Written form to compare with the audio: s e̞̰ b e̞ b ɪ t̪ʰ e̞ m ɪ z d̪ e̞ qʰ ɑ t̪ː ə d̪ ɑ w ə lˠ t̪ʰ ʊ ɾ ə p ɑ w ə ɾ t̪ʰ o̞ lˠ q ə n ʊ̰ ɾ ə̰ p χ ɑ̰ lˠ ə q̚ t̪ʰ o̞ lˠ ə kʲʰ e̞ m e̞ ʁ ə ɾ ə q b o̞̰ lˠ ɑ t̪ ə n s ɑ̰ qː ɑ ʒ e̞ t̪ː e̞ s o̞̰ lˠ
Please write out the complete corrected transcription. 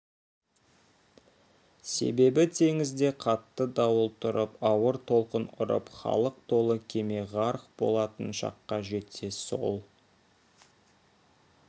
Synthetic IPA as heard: s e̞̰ b e̞ b ɪ t̪ʰ e̞ ŋ ɪ z d̪ e̞ qʰ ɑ t̪ː ə d̪ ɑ w ə lˠ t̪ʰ ʊ ɾ ə p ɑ w ə ɾ t̪ʰ o̞ lˠ q ə n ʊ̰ ɾ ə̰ p χ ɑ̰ lˠ ə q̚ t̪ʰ o̞ lˠ ə kʲʰ e̞ m e̞ ʁ ɑ ɾ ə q b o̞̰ lˠ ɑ t̪ ə n ʃ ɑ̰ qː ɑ ʒ e̞ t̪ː e̞ s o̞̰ lˠ